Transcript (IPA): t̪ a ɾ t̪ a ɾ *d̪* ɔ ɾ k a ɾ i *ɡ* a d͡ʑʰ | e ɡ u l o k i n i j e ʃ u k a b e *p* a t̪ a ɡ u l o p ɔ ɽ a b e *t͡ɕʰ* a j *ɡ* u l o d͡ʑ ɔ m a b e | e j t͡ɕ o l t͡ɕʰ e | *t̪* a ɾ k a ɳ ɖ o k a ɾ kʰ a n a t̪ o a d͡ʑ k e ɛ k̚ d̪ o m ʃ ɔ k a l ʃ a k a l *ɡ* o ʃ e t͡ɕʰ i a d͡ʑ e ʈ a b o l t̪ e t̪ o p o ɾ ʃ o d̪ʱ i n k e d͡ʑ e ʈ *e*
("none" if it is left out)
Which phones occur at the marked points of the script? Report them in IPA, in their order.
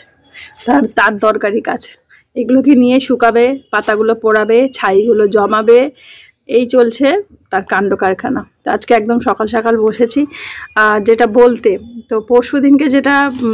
d̪, k, p, t͡ɕʰ, ɡ, t̪, b, a

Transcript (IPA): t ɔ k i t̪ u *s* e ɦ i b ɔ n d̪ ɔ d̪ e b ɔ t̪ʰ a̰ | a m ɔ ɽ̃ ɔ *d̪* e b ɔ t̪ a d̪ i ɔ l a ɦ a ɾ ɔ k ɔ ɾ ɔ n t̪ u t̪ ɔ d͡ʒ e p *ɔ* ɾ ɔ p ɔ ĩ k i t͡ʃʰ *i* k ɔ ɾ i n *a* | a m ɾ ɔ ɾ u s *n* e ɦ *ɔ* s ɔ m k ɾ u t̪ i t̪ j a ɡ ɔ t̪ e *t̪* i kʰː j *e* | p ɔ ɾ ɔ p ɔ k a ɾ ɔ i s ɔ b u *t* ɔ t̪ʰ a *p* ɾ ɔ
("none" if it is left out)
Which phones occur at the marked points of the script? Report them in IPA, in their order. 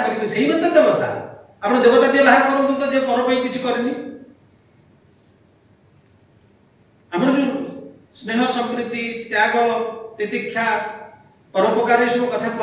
s, d̪, ɔ, i, i, n, ɔ, t̪, a, k, p

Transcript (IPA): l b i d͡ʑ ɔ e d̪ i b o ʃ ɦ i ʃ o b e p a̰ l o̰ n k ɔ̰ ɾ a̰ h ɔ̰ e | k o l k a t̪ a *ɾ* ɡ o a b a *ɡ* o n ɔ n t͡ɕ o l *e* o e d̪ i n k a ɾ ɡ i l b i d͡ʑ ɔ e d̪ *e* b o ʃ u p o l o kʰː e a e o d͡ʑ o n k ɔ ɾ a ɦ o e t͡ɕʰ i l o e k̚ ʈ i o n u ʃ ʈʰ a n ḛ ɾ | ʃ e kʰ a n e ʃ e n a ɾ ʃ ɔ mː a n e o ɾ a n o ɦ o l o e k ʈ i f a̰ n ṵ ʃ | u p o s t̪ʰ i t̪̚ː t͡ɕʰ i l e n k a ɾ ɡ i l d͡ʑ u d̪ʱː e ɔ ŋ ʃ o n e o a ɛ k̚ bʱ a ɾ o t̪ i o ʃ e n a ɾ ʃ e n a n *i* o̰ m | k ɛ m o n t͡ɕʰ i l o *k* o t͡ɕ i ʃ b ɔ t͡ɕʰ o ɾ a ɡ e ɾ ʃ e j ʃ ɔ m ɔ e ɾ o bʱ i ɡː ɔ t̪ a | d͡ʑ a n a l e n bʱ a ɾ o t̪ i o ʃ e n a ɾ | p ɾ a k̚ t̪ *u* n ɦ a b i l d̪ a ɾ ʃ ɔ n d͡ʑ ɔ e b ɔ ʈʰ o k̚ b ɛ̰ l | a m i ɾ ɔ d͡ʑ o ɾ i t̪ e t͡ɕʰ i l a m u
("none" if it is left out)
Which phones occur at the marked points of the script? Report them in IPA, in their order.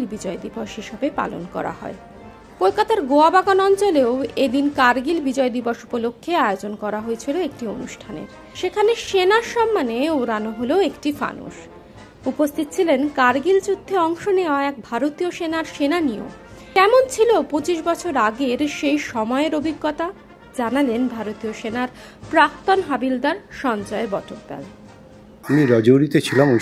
ɾ, ɡ, e, i, i, p, o

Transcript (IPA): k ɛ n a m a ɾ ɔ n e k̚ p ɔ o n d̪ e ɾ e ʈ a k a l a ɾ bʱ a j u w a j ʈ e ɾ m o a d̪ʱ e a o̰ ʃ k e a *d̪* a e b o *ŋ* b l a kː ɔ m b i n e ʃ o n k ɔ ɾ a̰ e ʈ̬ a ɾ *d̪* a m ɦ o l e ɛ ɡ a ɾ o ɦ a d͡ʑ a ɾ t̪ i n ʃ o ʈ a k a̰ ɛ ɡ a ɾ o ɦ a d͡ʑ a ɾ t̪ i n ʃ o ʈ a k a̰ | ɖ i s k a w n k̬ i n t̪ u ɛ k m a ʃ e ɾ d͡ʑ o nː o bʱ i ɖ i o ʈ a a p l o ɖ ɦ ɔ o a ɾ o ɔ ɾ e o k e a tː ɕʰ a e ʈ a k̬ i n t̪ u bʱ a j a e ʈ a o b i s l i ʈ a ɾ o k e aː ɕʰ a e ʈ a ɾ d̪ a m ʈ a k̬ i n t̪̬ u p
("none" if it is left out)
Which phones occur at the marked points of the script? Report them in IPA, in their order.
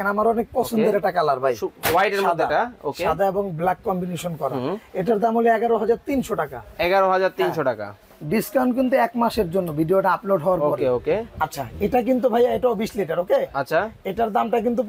d̪, ŋ, d̪

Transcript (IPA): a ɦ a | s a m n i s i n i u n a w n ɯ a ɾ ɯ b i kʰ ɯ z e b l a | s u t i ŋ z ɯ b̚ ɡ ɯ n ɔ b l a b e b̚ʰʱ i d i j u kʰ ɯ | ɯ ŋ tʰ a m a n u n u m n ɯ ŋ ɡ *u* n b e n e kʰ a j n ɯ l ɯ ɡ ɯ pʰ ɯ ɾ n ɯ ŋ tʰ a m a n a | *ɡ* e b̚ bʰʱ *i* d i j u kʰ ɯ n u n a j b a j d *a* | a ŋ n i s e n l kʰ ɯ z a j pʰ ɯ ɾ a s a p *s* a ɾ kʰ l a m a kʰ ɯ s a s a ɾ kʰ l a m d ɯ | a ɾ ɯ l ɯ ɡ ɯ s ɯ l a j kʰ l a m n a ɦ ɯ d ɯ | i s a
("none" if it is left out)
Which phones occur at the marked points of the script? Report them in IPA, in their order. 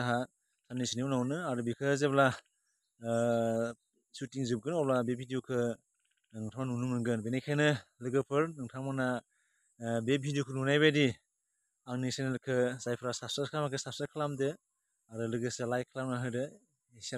ɯ, b, i, i, s

